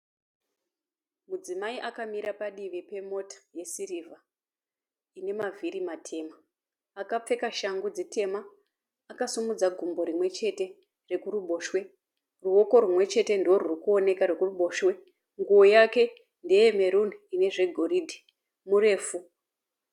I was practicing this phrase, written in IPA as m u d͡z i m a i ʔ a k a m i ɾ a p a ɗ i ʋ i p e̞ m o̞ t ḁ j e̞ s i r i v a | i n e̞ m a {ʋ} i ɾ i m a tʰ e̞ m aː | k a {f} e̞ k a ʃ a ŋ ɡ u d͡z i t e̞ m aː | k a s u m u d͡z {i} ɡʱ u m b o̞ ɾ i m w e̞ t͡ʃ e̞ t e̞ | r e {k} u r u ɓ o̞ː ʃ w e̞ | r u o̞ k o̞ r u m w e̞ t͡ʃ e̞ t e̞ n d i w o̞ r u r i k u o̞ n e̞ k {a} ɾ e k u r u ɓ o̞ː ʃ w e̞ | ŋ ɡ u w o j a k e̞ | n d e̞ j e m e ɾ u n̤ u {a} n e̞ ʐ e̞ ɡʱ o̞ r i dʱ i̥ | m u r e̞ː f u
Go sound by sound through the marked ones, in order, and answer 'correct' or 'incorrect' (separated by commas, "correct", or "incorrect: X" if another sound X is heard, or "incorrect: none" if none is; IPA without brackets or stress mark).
incorrect: v, incorrect: p͡f, incorrect: a, correct, correct, incorrect: i